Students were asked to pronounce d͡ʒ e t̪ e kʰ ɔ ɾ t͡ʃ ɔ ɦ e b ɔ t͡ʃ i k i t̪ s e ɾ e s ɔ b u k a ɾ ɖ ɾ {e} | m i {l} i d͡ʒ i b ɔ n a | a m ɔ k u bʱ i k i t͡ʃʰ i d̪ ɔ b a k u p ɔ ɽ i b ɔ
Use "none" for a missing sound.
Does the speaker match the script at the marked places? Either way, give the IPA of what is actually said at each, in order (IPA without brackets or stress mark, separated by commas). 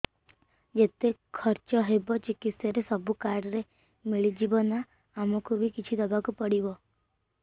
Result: e, ɭ